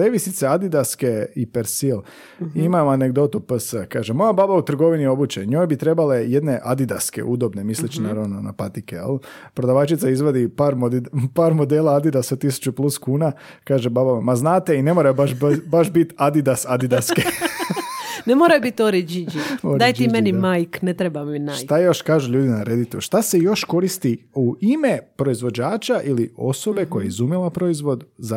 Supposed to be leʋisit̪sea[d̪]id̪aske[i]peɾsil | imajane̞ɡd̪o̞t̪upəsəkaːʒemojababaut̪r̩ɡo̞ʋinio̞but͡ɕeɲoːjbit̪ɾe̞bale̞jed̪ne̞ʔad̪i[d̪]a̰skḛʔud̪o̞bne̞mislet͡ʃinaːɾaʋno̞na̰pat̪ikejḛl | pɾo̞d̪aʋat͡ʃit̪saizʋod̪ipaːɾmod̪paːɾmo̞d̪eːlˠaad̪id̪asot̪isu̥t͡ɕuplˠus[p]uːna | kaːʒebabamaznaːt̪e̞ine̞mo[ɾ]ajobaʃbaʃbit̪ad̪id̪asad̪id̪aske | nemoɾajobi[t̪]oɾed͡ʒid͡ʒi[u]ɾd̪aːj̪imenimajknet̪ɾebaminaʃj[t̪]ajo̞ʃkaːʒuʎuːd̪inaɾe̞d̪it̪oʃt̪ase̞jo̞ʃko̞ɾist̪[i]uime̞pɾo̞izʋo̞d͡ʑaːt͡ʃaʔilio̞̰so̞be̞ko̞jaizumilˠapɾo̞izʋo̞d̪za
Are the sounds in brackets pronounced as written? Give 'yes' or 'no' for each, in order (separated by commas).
yes, yes, yes, no, yes, yes, no, yes, yes